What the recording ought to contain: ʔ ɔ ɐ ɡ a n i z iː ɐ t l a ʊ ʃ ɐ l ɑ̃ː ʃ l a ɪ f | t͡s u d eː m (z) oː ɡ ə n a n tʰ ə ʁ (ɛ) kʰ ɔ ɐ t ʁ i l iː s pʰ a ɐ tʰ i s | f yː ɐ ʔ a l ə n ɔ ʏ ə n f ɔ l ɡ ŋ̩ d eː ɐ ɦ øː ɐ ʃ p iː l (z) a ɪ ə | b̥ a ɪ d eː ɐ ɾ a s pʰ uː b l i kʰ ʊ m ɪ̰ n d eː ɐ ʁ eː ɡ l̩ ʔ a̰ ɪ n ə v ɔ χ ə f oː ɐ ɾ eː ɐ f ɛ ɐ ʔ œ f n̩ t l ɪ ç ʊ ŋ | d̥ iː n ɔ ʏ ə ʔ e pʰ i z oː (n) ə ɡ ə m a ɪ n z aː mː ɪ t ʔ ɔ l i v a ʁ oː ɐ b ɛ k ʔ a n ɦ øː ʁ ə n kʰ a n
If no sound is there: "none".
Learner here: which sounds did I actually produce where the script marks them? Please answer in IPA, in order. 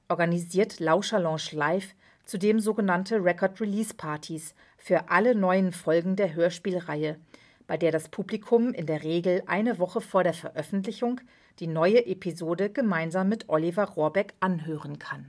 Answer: z, ɛ, ʁ, d

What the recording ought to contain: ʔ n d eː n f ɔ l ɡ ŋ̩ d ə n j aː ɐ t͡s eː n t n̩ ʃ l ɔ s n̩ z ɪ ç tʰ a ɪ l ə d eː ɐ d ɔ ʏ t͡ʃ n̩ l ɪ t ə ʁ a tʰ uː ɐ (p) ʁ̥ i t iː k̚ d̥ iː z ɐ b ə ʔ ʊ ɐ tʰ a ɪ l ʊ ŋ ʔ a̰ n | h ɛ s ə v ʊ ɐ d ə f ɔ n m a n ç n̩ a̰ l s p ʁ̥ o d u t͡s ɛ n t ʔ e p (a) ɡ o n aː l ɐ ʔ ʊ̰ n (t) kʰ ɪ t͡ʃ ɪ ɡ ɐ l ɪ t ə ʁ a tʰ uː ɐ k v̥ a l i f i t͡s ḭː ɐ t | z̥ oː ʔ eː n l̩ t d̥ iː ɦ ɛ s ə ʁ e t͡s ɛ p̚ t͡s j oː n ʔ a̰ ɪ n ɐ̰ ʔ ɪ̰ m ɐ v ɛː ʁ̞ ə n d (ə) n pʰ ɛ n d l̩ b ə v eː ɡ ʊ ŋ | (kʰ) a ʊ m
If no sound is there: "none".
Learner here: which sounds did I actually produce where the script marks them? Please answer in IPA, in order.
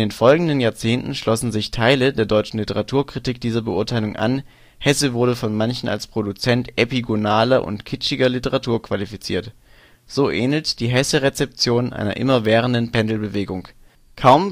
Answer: k, i, t, ə, kʰ

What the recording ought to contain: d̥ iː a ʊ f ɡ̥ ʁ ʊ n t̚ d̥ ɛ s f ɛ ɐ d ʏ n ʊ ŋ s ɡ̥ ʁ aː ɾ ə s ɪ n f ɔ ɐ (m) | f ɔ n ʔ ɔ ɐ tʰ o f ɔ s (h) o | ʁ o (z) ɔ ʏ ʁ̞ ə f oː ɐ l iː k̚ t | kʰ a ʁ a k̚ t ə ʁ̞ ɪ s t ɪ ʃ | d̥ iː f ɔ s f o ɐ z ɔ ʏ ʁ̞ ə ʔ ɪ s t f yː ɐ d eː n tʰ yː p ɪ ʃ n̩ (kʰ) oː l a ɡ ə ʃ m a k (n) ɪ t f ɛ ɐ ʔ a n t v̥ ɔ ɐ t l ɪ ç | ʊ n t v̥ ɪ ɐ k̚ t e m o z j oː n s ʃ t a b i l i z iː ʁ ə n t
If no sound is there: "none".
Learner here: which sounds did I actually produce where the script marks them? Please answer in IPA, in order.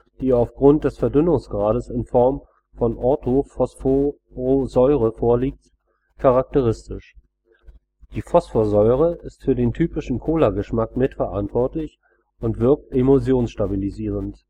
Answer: m, f, z, kʰ, m

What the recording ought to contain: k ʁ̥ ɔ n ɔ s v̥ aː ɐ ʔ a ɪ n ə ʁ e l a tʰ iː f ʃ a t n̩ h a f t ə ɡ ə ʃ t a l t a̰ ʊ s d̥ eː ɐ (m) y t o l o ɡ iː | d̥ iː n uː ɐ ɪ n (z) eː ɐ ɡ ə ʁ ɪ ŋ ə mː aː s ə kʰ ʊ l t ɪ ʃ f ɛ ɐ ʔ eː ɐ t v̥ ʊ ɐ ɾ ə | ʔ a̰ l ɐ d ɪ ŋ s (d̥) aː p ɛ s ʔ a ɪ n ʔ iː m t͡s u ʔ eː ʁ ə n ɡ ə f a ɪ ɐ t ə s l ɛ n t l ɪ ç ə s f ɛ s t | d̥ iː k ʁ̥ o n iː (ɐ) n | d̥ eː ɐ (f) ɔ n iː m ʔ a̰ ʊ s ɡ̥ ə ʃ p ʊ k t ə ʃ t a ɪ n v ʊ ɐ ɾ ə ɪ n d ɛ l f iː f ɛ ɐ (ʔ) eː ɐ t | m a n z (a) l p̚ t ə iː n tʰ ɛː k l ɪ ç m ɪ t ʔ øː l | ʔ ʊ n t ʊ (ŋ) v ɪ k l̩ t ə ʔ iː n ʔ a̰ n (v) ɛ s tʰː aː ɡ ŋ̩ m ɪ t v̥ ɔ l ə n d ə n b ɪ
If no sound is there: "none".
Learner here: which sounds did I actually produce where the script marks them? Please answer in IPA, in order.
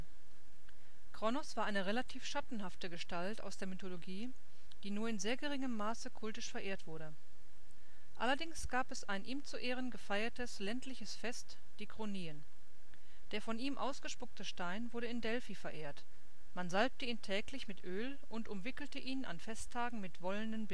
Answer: m, z, ɡ̥, ə, f, ʔ, a, m, f

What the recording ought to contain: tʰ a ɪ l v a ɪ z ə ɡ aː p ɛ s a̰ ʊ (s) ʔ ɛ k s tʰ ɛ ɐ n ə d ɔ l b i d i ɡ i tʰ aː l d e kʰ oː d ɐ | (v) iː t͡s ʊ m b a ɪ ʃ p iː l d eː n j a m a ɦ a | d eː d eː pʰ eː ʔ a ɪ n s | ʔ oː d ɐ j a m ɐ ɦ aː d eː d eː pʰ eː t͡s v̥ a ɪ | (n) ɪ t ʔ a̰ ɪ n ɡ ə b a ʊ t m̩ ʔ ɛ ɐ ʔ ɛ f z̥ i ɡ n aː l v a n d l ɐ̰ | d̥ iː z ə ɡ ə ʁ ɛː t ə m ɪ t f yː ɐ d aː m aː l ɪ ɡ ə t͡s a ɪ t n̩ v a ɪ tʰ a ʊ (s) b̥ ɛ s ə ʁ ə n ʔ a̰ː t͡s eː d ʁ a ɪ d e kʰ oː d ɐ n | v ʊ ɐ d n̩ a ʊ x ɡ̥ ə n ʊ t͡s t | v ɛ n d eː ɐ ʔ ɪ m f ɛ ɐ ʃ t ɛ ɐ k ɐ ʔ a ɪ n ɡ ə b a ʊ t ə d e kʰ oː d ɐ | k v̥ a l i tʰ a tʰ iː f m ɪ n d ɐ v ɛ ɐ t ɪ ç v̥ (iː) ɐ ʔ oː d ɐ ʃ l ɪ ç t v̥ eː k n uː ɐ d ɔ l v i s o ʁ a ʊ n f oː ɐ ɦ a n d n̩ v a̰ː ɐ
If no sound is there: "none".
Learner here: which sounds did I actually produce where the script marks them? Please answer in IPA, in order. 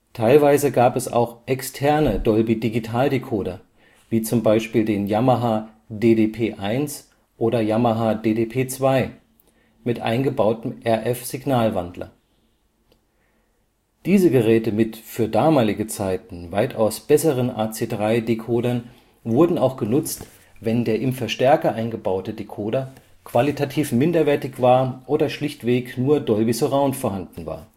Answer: x, v, m, s, aː

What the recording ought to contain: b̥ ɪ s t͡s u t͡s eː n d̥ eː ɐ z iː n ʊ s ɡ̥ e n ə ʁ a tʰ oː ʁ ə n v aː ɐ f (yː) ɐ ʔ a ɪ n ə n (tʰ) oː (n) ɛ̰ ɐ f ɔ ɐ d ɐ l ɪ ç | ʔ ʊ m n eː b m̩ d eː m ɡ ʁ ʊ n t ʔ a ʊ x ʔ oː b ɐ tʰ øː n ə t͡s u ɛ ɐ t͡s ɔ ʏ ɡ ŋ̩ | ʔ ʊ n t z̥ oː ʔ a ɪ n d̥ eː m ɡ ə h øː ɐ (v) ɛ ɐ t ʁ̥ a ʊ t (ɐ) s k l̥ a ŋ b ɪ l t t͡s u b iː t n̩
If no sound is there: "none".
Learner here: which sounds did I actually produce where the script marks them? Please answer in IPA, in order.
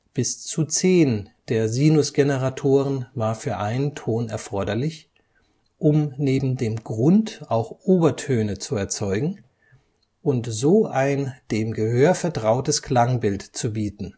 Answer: yː, tʰ, n, f, ə

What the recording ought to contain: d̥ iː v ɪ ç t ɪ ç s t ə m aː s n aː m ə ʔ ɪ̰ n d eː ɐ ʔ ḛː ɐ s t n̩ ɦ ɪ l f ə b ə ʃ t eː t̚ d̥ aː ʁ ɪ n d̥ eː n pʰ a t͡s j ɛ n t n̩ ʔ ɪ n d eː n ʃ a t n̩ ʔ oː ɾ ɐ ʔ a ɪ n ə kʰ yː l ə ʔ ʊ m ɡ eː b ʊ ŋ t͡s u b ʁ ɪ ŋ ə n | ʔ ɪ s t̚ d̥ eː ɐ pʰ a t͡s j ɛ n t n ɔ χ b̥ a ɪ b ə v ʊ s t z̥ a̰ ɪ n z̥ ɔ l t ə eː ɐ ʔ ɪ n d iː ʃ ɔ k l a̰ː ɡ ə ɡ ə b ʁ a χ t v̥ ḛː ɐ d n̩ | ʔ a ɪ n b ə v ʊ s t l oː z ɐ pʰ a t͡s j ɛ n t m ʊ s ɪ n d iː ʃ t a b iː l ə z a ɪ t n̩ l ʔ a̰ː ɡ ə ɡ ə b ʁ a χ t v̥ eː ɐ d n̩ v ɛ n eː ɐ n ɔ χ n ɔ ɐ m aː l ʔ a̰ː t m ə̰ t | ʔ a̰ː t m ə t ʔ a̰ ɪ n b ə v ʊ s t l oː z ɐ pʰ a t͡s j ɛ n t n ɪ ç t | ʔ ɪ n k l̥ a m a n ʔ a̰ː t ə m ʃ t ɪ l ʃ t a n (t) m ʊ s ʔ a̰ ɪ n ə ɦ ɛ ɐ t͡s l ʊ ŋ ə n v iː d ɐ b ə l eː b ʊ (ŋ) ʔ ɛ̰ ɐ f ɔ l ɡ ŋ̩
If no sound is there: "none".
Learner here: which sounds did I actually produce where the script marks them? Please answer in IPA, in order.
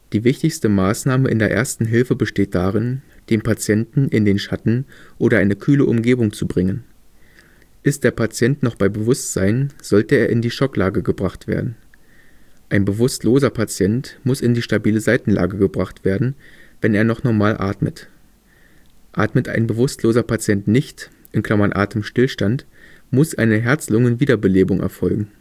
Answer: t, ŋ

